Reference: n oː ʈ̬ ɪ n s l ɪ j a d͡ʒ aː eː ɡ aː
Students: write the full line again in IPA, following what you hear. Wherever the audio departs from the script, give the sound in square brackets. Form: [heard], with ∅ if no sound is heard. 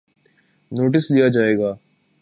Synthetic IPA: n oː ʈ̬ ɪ [∅] s l [i] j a d͡ʒ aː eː ɡ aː